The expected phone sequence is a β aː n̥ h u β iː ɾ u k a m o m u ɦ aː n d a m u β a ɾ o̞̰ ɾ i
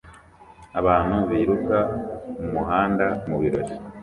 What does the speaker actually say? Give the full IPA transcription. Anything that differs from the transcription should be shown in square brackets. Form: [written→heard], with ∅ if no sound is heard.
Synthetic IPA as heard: a β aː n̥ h u β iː ɾ u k a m [o→u] m u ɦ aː n d a m u β [a→i] ɾ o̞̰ ɾ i

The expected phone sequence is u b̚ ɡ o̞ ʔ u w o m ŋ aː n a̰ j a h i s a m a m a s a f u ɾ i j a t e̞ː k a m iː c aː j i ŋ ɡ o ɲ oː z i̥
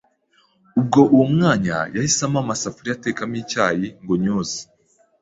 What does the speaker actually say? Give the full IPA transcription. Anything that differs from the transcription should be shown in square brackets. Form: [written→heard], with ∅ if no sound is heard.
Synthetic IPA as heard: u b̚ ɡ o̞ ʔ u w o m ŋ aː [n→ɲ] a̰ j a h i s a m a m a s a f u ɾ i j a t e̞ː k a m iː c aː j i ŋ ɡ o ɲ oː z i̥

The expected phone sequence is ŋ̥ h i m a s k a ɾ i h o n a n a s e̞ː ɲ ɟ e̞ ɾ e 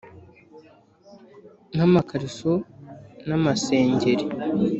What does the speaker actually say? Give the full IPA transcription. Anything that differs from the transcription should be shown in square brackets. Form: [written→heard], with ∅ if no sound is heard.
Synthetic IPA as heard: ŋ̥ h [i→a] m a [s→∅] k a ɾ i [h→s] o n a [n→m] a s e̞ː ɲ ɟ e̞ ɾ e

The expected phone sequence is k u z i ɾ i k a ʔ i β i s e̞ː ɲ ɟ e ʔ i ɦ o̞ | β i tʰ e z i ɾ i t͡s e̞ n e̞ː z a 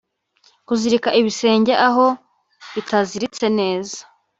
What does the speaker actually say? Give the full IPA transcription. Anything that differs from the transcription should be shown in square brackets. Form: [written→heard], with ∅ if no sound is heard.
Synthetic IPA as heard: k u z i ɾ i k a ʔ i β i s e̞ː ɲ ɟ e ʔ [i→a] ɦ o̞ | β i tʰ [e→a] z i ɾ i t͡s e̞ n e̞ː z a

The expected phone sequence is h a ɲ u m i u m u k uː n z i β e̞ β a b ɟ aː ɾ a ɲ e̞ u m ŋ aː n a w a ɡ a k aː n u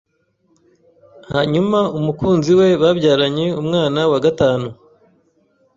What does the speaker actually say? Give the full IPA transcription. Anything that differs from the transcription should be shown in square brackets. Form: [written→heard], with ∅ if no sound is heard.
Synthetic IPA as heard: h a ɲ u m [i→a] u m u k uː n z i [β→w] e̞ β a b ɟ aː ɾ a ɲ e̞ u m ŋ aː n a w a ɡ a [k→t] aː n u

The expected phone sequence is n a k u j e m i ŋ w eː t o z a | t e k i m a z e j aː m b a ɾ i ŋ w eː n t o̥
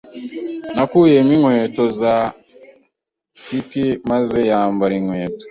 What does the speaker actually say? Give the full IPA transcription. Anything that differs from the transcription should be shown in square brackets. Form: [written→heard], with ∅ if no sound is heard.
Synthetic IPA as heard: n a k u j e m i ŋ w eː t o z a | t [e→i] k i m a z e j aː m b a ɾ i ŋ w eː [n→∅] t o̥

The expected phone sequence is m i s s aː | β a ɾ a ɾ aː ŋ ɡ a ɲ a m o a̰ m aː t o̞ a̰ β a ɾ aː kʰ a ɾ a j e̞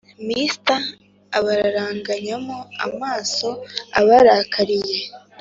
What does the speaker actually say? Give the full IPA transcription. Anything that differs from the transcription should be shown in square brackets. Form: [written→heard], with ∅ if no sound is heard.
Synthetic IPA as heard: m i s [s→t] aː | β a ɾ a ɾ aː ŋ ɡ a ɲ a m o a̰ m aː [t→s] o̞ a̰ β a ɾ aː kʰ a ɾ [a→i] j e̞

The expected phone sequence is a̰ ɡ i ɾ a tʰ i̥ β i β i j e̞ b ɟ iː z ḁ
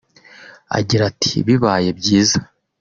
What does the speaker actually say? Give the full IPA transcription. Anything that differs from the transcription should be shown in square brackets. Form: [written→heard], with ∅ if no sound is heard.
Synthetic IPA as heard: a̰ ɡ i ɾ a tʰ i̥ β i β [i→a] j e̞ b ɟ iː z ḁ

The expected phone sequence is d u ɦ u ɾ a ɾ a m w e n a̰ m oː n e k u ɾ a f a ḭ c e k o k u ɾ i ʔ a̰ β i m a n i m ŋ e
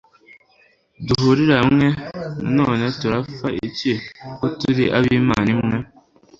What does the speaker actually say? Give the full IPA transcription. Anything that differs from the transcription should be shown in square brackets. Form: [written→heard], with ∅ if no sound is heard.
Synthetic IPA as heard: d u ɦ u ɾ [a→i] ɾ a m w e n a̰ [m→n] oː n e [k→t] u ɾ a f a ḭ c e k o [k→t] u ɾ i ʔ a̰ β i m a n i m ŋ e

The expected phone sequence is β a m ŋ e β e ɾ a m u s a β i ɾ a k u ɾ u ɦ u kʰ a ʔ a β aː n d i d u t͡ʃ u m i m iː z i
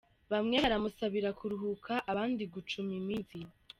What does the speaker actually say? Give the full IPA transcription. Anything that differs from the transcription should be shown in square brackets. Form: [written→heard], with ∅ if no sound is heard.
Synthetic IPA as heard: β a m ŋ e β [e→a] ɾ a m u s a β i ɾ a k u ɾ u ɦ u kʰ a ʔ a β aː n d i [d→ɡ] u t͡ʃ u m i m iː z i

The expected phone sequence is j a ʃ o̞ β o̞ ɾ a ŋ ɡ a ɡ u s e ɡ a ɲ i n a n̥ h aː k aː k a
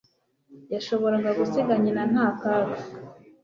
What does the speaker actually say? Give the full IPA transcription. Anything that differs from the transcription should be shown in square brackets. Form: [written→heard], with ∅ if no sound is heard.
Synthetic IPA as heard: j a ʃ o̞ β o̞ ɾ a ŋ ɡ a ɡ u s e ɡ a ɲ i n a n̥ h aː k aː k a

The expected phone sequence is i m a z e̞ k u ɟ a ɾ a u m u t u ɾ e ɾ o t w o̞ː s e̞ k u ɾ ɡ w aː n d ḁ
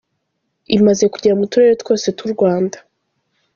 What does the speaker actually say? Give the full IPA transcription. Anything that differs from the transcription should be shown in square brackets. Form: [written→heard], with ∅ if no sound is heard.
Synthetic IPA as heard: i m a z e̞ k u ɟ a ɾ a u m u t u ɾ e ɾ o t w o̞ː s e̞ [k→t] u ɾ ɡ w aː n d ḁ

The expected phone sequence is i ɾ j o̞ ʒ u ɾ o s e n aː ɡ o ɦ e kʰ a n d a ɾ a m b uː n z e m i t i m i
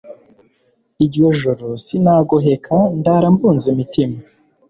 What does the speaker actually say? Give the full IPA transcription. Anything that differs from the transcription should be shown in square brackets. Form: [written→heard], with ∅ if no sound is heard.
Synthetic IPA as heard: i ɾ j o̞ ʒ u ɾ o s [e→i] n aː ɡ o ɦ e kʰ a n d a ɾ a m b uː n z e m i t i m [i→a]

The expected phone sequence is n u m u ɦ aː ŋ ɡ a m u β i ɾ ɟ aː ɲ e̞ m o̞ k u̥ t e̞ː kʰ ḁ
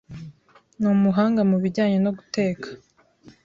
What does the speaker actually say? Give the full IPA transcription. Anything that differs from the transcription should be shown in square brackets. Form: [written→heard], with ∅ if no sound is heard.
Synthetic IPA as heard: n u m u ɦ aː ŋ ɡ a m u β i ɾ ɟ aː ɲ e̞ [m→n] o̞ [k→ɡ] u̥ t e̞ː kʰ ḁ

